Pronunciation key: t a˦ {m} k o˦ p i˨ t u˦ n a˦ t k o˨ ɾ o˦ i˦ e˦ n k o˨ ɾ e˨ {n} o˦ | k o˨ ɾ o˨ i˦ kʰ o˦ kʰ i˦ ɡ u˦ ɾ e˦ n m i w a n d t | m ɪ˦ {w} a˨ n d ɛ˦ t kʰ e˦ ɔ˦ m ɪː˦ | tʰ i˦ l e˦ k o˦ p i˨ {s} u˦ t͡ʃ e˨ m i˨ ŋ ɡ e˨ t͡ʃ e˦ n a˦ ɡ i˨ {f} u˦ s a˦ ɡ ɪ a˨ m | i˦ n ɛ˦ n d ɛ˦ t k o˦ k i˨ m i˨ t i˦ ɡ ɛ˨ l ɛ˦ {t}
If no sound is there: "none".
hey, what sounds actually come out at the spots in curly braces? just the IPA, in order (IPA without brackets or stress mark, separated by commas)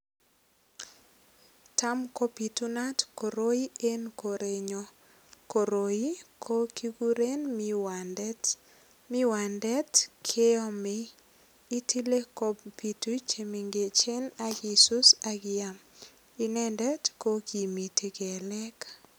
m, ɲ, w, t, s, k